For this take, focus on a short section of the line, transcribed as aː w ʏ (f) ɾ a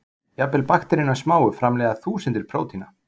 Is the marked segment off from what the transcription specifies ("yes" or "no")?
no